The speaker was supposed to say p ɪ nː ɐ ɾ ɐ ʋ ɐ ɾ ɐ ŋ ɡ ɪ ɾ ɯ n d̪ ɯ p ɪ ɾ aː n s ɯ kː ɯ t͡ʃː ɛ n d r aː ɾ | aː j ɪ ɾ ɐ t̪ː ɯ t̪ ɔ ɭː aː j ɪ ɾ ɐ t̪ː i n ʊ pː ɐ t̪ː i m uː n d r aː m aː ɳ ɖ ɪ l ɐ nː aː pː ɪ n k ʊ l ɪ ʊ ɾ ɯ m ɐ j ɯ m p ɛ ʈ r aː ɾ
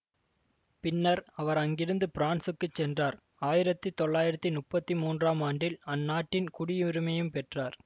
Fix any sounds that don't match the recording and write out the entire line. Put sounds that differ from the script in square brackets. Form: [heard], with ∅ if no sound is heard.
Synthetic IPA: p ɪ nː ɐ ɾ ɐ ʋ ɐ ɾ ɐ ŋ ɡ ɪ ɾ ɯ n d̪ ɯ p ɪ ɾ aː n s ɯ kː ɯ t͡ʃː ɛ n d r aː ɾ | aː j ɪ ɾ ɐ t̪ː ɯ t̪ ɔ ɭː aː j ɪ ɾ ɐ t̪ː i n ʊ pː ɐ t̪ː i m uː n d r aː m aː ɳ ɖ ɪ l ɐ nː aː [ʈː] ɪ n k ʊ [ɽ] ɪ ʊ ɾ ɯ m ɐ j ɯ m p ɛ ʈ r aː ɾ